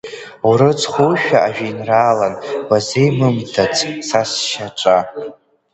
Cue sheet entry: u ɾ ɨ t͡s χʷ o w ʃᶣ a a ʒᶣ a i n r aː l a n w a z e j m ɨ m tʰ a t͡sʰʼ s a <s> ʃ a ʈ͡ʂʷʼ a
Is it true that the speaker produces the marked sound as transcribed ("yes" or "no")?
yes